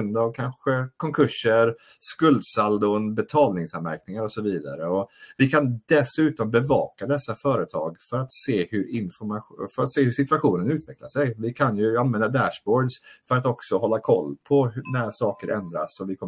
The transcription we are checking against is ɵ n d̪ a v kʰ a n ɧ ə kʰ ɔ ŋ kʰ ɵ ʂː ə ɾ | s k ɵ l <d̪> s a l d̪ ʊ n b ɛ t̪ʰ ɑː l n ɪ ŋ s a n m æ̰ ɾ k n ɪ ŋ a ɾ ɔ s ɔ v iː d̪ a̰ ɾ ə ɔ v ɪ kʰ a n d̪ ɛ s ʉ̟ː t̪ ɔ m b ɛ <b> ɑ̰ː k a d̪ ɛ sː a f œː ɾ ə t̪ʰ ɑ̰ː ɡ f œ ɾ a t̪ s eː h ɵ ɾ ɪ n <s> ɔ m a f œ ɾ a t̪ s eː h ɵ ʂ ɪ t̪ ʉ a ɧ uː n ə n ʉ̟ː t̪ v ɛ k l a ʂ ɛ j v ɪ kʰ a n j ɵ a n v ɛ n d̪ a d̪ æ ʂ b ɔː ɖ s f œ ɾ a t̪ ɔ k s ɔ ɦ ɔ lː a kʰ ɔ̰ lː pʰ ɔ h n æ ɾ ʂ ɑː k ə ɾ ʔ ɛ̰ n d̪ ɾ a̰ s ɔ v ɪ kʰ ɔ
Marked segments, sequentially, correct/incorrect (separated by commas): correct, incorrect, incorrect